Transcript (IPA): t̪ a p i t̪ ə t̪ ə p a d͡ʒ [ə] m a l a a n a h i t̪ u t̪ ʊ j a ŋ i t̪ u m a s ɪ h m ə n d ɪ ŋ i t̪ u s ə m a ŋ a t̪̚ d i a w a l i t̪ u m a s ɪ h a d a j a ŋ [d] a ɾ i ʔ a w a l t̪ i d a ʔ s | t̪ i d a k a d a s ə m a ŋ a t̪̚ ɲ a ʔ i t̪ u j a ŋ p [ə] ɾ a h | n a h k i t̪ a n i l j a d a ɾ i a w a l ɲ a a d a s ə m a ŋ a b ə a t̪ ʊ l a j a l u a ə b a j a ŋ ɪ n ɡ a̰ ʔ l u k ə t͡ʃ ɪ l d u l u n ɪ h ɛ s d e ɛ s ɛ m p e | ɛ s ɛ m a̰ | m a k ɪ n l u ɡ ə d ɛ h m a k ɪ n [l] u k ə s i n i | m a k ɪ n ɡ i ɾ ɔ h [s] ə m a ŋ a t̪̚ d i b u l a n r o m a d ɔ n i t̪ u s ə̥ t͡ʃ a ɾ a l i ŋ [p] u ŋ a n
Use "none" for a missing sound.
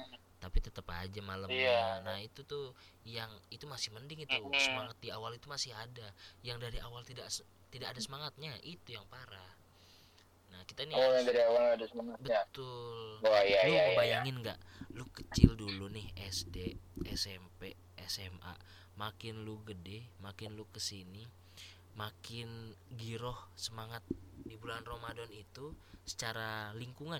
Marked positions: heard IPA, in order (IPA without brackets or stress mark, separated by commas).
a, d, a, l, s, k